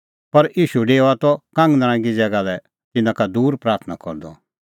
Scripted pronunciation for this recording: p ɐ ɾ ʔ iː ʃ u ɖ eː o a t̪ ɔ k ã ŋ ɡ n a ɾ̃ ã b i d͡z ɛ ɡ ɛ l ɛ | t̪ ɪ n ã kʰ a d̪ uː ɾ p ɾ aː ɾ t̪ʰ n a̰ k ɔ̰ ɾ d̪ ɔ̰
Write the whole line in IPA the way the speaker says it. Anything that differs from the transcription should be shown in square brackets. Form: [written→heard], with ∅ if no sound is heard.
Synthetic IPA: p ɐ ɾ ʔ iː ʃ u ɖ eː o a t̪ ɔ k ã ŋ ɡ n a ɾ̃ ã [b→ɡ] i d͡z ɛ ɡ [ɛ→a] l ɛ | t̪ ɪ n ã [kʰ→k] a d̪ uː ɾ p ɾ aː ɾ t̪ʰ n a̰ k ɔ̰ ɾ d̪ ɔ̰